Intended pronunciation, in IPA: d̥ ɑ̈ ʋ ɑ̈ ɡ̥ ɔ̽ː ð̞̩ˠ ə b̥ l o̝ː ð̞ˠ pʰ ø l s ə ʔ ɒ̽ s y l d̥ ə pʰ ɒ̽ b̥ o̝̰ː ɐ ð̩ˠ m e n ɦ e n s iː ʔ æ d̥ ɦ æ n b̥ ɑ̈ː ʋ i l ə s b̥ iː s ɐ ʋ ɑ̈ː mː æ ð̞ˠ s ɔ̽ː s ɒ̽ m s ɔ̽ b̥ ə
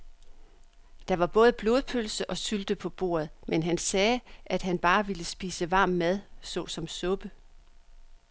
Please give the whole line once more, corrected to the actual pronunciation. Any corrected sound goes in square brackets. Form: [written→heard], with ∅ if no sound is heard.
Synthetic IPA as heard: d̥ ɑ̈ ʋ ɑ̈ [ɡ̥→b̥] ɔ̽ː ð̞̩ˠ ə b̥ l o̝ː ð̞ˠ pʰ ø l s ə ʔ ɒ̽ s y l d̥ ə pʰ ɒ̽ b̥ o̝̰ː ɐ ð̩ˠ m e n ɦ [e→æ] n s [iː→ɛː] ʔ æ d̥ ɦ æ n b̥ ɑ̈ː ʋ i l ə s b̥ iː s [ɐ→ə] ʋ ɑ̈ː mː æ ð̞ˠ s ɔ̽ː s ɒ̽ m s ɔ̽ b̥ ə